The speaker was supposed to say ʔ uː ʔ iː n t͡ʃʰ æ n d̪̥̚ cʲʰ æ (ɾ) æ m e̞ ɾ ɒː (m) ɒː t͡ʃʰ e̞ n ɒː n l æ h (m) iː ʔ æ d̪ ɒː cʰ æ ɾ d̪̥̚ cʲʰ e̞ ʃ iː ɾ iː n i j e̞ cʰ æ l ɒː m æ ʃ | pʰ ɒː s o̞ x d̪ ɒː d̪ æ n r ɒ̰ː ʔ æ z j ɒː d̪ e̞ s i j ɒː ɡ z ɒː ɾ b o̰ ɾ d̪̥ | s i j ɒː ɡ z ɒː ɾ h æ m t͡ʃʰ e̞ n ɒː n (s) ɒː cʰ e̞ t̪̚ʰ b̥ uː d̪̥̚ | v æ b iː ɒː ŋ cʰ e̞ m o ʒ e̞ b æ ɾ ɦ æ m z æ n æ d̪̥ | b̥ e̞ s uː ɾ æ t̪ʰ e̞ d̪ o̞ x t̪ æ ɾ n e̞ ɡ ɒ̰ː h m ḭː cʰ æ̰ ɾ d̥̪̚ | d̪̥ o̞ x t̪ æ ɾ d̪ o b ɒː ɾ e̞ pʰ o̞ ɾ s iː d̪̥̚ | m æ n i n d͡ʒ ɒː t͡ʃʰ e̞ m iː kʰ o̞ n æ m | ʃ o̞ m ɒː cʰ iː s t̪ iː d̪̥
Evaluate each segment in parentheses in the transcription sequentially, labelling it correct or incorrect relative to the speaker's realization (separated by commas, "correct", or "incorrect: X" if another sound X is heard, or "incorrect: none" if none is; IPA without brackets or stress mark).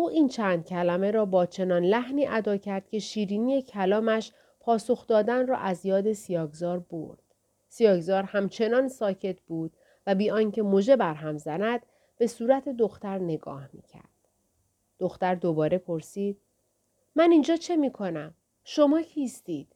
incorrect: l, incorrect: b, incorrect: n, correct